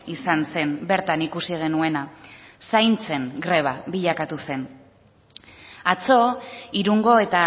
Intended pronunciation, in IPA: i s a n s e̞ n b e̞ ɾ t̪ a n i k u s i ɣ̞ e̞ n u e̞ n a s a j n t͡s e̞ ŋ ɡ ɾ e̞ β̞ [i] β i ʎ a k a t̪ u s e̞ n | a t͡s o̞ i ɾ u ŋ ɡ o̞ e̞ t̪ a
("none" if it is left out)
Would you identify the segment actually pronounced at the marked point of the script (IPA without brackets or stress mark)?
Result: a